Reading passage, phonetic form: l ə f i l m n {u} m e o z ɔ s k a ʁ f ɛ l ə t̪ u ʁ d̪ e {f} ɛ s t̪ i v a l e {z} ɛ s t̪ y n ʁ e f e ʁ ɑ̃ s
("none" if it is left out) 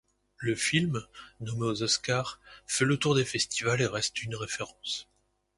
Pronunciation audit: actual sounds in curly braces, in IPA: ɔ, f, ʁ

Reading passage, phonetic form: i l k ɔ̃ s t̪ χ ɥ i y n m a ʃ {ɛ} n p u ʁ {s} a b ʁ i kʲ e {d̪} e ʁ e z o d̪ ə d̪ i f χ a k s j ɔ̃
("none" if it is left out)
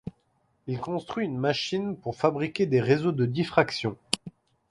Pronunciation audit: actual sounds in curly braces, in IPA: i, f, d̪

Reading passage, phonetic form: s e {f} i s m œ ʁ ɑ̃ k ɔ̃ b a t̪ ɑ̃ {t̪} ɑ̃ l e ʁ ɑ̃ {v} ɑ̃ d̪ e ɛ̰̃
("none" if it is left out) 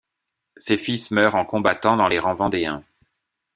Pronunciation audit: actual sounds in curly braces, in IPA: f, d̪, v

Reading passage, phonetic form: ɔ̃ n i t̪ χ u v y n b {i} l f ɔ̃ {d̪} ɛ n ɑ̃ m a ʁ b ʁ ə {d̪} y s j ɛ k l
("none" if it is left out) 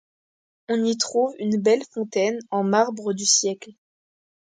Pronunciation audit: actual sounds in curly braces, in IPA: ɛ, t̪, d̪

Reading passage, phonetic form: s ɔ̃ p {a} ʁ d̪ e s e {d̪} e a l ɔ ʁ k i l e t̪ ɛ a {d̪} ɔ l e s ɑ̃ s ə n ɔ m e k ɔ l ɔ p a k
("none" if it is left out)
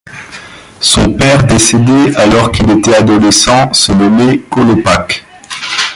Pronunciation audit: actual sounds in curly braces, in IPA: ɛ, d̪, d̪

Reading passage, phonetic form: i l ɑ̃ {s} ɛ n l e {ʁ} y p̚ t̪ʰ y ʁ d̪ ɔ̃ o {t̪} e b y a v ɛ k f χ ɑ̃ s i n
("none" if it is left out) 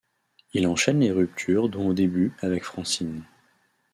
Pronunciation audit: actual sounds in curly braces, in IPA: ʃ, ʁ, d̪

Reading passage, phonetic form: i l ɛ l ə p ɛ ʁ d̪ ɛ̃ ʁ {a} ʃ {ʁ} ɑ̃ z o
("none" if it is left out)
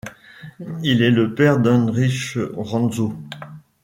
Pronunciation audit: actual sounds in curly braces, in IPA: i, ʁ

